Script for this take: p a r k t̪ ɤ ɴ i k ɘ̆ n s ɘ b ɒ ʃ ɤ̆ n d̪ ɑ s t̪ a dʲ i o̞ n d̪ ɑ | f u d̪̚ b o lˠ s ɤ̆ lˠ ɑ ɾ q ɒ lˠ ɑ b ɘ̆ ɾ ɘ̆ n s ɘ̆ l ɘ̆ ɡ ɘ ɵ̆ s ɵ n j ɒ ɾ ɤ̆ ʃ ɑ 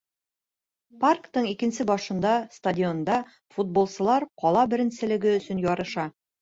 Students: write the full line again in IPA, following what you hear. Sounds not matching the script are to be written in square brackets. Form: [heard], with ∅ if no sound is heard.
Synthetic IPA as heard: p a r k t̪ ɤ ɴ i k ɘ̆ n s ɘ b ɒ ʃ ɤ̆ n d̪ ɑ s t̪ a dʲ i o̞ n d̪ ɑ | f u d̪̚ b o lˠ s ɤ̆ lˠ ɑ ɾ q ɒ lˠ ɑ b ɘ̆ ɾ ɘ̆ n s ɘ̆ l ɘ̆ ɡ ɘ ɵ̆ s ɵ n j ɒ ɾ ɤ̆ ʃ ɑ